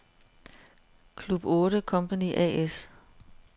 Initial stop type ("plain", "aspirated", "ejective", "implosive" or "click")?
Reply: aspirated